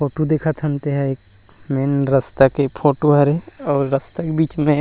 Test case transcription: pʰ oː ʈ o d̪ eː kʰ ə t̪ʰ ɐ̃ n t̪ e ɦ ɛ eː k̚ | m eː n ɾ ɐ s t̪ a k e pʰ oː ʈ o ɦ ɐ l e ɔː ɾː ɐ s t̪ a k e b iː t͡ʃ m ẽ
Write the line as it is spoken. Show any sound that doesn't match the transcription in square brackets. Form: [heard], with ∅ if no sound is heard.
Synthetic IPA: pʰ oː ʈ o d̪ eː kʰ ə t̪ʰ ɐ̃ n t̪ e ɦ ɛ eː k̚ | m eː n ɾ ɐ s t̪ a k e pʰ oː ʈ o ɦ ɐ [ɾ] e ɔː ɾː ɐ s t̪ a k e b iː t͡ʃ m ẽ